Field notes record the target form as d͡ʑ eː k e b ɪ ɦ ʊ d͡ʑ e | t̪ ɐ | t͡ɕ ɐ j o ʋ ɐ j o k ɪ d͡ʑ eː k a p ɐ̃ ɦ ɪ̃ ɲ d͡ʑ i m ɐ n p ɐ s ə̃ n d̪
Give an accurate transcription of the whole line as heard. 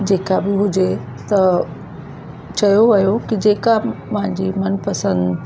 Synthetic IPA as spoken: d͡ʑ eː k a b ɪ ɦ ʊ d͡ʑ e | t̪ ɐ | t͡ɕ ɐ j o ʋ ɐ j o k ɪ d͡ʑ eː k a p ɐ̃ ɦ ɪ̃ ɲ d͡ʑ i m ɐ n p ɐ s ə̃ n d̪